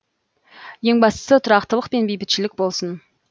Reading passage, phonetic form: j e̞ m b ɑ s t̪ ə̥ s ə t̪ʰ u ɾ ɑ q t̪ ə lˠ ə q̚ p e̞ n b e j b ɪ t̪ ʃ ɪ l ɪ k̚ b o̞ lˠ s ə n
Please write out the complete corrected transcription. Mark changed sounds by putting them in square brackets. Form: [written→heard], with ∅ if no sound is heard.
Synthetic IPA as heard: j e̞ [m→ŋ] b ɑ s t̪ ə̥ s ə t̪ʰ [u→ʊ] ɾ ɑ q t̪ ə lˠ ə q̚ p e̞ n b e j b ɪ t̪ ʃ ɪ l ɪ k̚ b o̞ lˠ s ə n